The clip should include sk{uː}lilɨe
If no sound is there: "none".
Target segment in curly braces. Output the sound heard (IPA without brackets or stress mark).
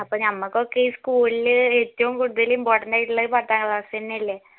uː